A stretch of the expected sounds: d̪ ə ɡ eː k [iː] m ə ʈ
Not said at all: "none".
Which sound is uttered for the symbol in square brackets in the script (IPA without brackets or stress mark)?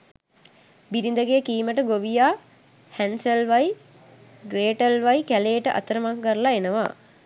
iː